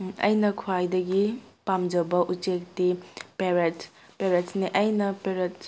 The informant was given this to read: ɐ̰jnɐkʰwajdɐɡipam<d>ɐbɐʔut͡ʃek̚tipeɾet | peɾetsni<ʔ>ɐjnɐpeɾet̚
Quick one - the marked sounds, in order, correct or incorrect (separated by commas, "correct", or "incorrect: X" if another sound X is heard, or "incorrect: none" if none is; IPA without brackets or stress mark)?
incorrect: d͡ʒ, correct